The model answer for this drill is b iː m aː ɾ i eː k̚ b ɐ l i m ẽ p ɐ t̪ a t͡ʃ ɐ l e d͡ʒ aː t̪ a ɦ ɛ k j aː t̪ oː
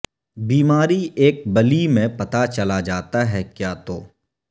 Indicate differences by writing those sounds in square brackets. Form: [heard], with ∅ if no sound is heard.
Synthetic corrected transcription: b iː m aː ɾ i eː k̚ b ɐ l i m ẽ p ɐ t̪ a t͡ʃ ɐ l [a] d͡ʒ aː t̪ a ɦ ɛ k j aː t̪ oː